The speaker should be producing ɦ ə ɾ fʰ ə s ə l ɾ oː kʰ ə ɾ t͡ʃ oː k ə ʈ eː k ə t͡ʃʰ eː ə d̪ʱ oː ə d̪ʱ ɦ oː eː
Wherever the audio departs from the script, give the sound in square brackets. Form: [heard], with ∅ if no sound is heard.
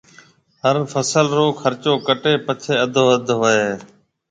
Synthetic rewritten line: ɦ ə ɾ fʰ ə s ə l ɾ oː kʰ ə ɾ t͡ʃ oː k ə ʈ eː [p] ə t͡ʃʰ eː ə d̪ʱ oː ə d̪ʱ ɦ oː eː